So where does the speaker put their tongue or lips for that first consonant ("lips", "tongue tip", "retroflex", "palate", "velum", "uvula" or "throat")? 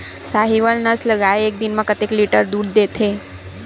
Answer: tongue tip